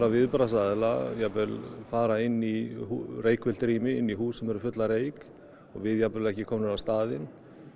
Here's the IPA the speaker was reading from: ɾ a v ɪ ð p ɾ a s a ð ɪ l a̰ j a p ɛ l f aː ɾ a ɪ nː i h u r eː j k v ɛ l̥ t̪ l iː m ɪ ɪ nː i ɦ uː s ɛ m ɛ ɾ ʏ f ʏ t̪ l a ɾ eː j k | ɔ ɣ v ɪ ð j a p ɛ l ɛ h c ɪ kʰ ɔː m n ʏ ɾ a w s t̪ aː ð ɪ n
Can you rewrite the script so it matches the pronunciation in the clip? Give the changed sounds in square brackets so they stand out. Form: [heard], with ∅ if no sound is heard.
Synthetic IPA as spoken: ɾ a v ɪ ð p ɾ a s a ð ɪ l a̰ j a p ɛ l f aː ɾ a ɪ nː i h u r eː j k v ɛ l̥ t̪ [ɾ] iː m ɪ ɪ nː i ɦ uː s ɛ m ɛ ɾ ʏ f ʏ t̪ l a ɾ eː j k | ɔ ɣ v ɪ ð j a p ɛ l ɛ h c ɪ kʰ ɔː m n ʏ ɾ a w s t̪ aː ð ɪ n

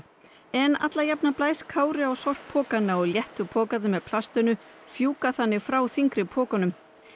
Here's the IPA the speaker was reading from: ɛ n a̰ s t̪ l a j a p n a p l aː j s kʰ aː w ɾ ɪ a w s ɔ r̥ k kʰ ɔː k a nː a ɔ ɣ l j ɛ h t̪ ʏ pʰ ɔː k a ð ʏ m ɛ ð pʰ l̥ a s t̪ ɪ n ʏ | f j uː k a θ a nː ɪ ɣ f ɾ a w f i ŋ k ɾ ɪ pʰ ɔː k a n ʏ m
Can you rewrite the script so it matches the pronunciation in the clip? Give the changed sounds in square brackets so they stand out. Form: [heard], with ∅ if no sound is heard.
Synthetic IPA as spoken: ɛ n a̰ [∅] t̪ l a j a p n a p l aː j s kʰ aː w ɾ ɪ a w s ɔ r̥ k [pʰ] ɔː k a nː a ɔ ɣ l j ɛ h t̪ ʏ pʰ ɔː k a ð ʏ m ɛ ð pʰ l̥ a s t̪ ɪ n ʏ | f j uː k a θ a nː ɪ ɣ f ɾ a w [θ] i ŋ k ɾ ɪ pʰ ɔː k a n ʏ m

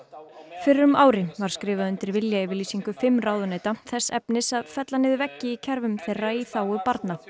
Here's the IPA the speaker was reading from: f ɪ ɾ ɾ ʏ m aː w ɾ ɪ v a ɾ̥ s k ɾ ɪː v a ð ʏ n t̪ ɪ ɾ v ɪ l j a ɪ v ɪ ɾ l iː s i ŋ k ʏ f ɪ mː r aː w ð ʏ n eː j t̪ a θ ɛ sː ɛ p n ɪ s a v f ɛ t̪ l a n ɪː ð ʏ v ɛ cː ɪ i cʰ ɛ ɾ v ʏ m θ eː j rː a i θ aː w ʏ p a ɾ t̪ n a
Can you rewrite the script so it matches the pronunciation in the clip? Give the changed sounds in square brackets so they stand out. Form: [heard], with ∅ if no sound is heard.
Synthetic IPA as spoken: f ɪ ɾ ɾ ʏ m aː w ɾ ɪ v a ɾ̥ s k ɾ ɪː v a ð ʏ n t̪ ɪ ɾ v ɪ l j a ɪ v ɪ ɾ l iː s i ŋ k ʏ f ɪ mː r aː w ð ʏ n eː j t̪ a θ ɛ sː ɛ p n ɪ s a [ð] f ɛ t̪ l a n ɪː ð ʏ v ɛ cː ɪ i cʰ ɛ ɾ v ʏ m θ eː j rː a i θ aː w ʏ p a ɾ t̪ n a

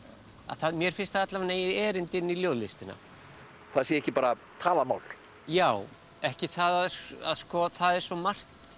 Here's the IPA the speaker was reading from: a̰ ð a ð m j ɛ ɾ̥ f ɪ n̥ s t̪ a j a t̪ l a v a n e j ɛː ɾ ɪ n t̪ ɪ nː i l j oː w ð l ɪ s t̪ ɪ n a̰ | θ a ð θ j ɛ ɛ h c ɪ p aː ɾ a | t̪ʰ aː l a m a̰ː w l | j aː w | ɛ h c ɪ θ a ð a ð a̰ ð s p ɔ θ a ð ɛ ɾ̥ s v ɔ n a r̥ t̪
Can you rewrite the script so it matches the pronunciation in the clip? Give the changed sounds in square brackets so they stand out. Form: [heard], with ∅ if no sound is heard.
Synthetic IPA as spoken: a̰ [θ] a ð m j ɛ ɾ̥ f ɪ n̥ s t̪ a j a t̪ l a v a n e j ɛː ɾ ɪ n t̪ ɪ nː i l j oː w ð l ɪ s t̪ ɪ n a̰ | θ a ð [s] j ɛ ɛ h c ɪ p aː ɾ a | t̪ʰ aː l a m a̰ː w l | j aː w | ɛ h c ɪ θ a ð a ð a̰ ð s [k] ɔ θ a ð ɛ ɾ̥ s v ɔ [m] a r̥ t̪

